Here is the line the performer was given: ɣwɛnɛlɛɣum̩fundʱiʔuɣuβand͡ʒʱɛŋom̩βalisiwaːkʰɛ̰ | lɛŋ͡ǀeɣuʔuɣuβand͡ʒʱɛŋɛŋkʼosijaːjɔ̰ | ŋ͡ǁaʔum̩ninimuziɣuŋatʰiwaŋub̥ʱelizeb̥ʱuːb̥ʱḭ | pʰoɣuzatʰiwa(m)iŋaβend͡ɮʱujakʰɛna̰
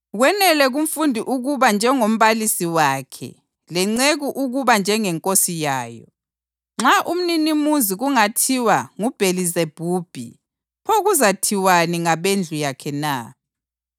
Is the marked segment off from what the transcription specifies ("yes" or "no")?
yes